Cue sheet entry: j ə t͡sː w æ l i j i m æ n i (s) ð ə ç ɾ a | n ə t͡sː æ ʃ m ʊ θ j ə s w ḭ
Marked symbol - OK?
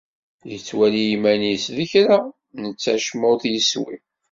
yes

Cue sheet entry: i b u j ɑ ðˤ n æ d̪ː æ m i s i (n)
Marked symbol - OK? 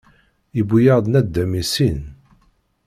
yes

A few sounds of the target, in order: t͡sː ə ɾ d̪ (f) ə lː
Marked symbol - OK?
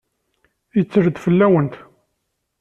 yes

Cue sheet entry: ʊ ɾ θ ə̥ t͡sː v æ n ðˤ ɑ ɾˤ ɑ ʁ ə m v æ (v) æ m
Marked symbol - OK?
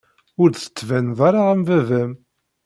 yes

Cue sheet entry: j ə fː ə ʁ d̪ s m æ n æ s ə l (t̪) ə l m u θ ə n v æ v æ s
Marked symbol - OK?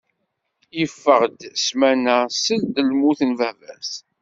no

